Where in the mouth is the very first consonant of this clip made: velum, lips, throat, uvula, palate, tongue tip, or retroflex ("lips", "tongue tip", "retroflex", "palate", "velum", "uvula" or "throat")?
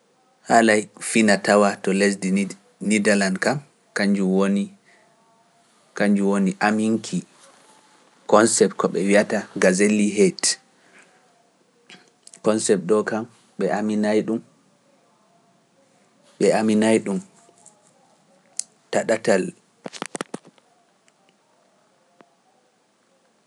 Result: throat